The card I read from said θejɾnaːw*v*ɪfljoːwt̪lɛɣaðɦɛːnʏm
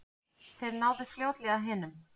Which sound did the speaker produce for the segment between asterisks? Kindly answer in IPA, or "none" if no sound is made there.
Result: ð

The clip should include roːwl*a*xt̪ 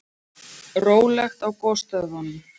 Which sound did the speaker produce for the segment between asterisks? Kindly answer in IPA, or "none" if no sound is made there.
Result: ɛ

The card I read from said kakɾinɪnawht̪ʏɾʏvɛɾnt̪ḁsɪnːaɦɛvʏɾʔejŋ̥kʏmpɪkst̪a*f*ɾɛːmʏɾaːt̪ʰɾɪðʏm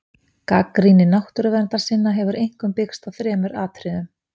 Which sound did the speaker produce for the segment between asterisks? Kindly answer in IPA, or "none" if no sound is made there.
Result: θ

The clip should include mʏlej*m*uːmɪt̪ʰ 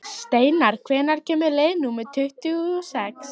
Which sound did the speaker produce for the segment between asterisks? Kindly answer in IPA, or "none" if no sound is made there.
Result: n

